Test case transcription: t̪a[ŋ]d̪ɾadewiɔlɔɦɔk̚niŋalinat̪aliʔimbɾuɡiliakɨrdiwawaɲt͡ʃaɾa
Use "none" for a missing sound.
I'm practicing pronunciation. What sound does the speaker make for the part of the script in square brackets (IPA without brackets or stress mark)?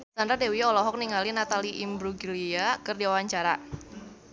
n